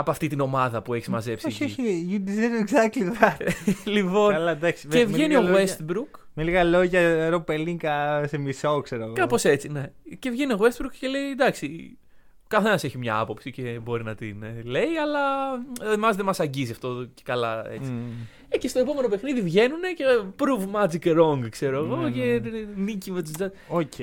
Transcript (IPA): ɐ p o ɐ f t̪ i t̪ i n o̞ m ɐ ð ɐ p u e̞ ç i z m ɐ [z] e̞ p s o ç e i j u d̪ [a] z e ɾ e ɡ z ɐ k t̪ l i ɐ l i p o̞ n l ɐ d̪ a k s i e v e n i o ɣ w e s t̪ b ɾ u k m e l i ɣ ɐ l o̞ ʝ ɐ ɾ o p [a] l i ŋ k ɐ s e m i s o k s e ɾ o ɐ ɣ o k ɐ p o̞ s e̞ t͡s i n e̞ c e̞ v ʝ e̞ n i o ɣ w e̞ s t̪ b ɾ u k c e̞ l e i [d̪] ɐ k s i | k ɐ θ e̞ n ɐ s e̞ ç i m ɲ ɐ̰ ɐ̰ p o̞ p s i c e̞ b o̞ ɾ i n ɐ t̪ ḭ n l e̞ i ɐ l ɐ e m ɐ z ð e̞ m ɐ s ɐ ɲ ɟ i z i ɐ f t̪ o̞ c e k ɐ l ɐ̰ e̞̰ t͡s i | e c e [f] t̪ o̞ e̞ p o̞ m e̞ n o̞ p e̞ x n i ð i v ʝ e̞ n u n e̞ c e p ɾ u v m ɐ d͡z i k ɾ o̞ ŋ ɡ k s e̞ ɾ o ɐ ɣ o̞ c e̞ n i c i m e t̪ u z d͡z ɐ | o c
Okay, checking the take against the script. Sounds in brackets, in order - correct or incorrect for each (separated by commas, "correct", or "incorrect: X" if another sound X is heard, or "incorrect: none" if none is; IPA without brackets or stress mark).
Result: correct, incorrect: i, incorrect: e, correct, incorrect: s